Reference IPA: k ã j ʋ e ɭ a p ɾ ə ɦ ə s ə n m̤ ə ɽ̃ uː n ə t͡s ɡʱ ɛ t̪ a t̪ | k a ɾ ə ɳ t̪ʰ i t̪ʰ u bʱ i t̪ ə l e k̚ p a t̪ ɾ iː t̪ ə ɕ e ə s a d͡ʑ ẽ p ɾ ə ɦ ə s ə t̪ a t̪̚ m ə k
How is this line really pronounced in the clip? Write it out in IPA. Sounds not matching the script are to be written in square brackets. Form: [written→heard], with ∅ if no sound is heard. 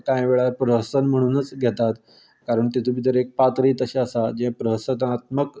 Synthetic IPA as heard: k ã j ʋ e ɭ a p ɾ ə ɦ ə s ə n m̤ ə ɽ̃ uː n ə t͡s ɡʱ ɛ t̪ a t̪ | k a ɾ ə ɳ [t̪ʰ→t̪] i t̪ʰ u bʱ i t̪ ə [l→ɾ] e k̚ p a t̪ ɾ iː t̪ ə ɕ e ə s a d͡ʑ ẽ p ɾ ə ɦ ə s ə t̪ a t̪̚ m ə k

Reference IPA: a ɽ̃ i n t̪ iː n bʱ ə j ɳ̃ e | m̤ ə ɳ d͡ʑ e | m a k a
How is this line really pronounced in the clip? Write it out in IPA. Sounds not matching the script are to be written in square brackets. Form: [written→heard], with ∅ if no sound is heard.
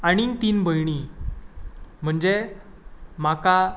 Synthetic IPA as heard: a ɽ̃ i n t̪ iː n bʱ ə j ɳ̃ [e→i] | m̤ ə ɳ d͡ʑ e | m a k a

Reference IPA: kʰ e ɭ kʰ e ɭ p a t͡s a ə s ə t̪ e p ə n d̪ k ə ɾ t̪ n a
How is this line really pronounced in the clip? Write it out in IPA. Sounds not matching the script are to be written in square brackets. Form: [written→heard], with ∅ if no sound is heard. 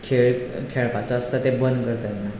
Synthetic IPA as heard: kʰ e ɭ kʰ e ɭ p a t͡s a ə s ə t̪ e [p→b] ə n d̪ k ə ɾ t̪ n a

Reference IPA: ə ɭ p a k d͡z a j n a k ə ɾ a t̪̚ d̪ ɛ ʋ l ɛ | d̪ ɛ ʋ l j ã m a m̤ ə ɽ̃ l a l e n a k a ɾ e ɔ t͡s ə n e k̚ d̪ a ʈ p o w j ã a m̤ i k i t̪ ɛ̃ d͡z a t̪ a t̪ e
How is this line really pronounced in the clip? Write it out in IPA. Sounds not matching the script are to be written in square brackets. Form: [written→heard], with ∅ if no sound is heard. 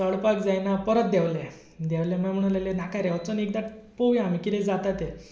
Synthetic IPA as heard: ə ɭ p a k d͡z a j n a [k→p] ə ɾ [a→ə] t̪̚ d̪ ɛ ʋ l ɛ | d̪ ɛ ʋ l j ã m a m̤ ə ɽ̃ l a l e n a k a ɾ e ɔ t͡s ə n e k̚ d̪ a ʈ p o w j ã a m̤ i k i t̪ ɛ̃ d͡z a t̪ a t̪ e

